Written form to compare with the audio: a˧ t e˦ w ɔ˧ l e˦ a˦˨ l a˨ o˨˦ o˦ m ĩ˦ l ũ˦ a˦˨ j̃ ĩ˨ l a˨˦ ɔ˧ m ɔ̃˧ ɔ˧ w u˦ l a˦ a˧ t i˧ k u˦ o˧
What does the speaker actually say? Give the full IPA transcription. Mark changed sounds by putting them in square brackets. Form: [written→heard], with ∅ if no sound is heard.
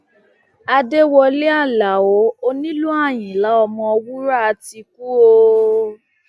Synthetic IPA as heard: a˧ [t→d] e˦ w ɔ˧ l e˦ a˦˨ l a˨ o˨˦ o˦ [m→n] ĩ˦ l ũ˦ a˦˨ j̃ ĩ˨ l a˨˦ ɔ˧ m ɔ̃˧ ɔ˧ w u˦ [l→ɾ] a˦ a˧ t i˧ k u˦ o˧